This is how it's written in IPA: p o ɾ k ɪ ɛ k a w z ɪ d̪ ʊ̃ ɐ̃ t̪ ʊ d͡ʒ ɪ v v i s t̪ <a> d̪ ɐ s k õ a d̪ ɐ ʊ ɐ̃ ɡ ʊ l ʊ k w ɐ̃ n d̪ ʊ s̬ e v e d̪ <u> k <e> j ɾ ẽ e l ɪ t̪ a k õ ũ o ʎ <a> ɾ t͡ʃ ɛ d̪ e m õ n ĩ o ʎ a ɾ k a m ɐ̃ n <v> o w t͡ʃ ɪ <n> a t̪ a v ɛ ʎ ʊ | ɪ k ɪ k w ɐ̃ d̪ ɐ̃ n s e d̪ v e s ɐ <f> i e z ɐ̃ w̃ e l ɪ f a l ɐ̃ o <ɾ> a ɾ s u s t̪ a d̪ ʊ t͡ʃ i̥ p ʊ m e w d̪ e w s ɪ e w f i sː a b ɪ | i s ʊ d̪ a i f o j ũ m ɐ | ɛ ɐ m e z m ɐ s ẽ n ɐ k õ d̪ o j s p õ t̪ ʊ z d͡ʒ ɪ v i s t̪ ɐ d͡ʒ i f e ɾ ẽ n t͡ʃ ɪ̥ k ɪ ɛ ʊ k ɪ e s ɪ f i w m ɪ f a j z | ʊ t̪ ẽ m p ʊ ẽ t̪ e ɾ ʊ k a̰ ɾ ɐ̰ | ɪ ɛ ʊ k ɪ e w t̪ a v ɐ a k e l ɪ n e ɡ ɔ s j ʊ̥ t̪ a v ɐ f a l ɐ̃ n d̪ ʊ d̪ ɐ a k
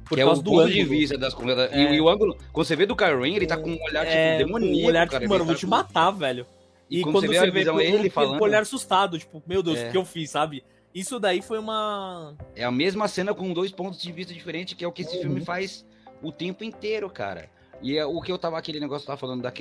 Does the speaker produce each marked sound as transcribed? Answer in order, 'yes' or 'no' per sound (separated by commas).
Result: no, no, no, yes, yes, no, no, no